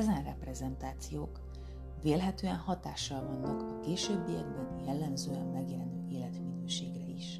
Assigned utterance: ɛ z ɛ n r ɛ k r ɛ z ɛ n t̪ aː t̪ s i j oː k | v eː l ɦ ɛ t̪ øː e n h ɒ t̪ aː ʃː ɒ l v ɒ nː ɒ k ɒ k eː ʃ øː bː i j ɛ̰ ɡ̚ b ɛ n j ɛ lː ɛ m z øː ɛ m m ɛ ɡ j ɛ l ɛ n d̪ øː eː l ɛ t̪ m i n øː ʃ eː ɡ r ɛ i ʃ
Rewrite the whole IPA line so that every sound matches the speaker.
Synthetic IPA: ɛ z ɛ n r ɛ p r ɛ z ɛ n t̪ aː t̪ s i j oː k | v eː l ɦ ɛ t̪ øː ɛ n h ɒ t̪ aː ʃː ɒ l v ɒ nː ɒ k ɒ k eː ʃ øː bː i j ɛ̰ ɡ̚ b ɛ n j ɛ lː ɛ m z øː ɛ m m ɛ ɡ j ɛ l ɛ n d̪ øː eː l ɛ t̪ m i n øː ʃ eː ɡ r ɛ i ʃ